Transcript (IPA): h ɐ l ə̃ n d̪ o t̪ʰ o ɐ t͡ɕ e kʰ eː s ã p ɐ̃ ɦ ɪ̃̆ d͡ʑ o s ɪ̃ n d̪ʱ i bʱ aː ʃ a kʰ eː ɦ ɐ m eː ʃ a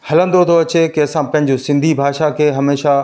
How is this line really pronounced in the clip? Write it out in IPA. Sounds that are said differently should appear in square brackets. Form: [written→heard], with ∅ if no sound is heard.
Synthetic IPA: h ɐ l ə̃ n d̪ o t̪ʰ o ɐ t͡ɕ e [kʰ→k] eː s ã p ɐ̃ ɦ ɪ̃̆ d͡ʑ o s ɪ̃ n d̪ʱ i bʱ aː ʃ a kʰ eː ɦ ɐ m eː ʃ a